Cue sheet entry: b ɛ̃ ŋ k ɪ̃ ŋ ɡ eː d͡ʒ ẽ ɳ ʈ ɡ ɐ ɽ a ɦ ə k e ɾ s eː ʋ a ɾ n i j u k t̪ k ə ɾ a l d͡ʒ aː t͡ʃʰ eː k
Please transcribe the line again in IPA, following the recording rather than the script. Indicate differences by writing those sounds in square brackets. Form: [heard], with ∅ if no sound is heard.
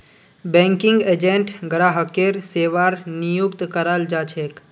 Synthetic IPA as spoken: b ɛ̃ ŋ k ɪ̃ ŋ ɡ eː d͡ʒ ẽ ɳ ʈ ɡ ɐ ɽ a ɦ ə k e ɾ s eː ʋ a ɾ n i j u k t̪ k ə ɾ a l d͡ʒ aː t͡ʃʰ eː k